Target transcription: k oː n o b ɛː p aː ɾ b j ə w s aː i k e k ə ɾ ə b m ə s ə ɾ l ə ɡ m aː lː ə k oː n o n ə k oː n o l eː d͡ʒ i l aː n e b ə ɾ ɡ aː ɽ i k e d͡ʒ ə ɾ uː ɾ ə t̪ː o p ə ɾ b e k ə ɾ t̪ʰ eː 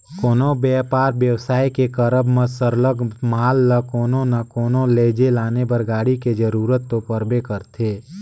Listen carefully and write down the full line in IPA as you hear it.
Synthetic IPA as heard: k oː n o b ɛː p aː ɾ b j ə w s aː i k e k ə ɾ ə b m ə s ə ɾ l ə ɡ m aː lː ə k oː n o n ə k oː n o l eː d͡ʒ e l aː n e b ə ɾ ɡ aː ɽ i k e d͡ʒ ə ɾ uː ɾ ə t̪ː o p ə ɾ b e k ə ɾ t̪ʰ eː